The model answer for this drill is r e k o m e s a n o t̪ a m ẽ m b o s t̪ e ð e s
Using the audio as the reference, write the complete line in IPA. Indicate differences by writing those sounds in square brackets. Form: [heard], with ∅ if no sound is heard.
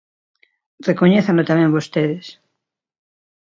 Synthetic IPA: r e k o [ɲ] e [θ] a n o t̪ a m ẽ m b o s t̪ e ð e s